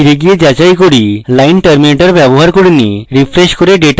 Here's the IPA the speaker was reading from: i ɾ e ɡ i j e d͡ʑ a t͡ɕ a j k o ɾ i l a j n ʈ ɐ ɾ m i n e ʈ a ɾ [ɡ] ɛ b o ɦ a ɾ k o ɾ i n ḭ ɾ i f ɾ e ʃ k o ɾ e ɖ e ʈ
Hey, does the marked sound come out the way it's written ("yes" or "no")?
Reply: no